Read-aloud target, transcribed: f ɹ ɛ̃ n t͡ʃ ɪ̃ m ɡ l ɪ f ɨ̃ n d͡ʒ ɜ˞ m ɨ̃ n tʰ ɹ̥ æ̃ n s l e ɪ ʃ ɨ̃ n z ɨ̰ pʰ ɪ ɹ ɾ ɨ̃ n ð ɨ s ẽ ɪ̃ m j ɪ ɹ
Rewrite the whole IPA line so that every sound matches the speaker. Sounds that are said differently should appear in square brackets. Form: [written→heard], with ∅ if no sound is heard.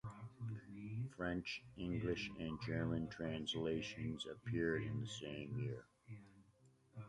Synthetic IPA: f ɹ ɛ̃ n t͡ʃ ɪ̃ [m→ŋ] ɡ l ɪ [f→ʃ] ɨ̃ n d͡ʒ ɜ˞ m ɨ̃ n tʰ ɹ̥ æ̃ n s l e ɪ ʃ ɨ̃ n z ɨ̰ pʰ ɪ ɹ ɾ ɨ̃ n ð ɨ s ẽ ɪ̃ m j ɪ ɹ